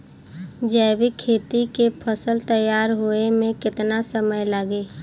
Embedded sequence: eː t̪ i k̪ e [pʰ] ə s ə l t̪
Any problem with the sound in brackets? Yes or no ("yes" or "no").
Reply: no